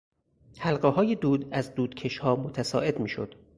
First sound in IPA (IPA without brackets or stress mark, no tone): h